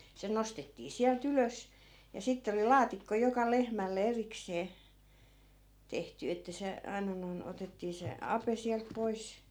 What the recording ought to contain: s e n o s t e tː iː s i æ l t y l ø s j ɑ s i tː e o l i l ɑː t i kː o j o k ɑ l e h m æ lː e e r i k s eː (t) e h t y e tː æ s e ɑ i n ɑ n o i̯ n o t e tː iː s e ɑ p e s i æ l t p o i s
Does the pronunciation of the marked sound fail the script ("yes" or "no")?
no